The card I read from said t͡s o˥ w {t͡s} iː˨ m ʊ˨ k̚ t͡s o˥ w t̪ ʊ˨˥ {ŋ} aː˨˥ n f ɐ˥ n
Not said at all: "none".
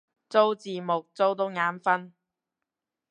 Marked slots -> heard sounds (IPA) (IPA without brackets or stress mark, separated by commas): t͡s, ŋ